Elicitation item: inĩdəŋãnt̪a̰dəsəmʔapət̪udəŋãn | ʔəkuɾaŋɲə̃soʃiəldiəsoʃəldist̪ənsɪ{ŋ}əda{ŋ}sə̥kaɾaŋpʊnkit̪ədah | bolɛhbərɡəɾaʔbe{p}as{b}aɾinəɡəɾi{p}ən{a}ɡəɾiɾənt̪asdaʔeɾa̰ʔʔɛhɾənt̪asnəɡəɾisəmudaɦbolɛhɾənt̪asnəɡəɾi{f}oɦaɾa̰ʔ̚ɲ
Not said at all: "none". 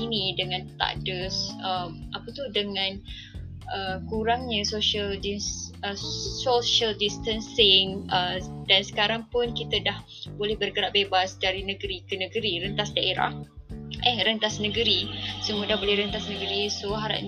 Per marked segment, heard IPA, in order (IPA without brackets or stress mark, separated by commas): ŋ, n, b, d, k, ə, s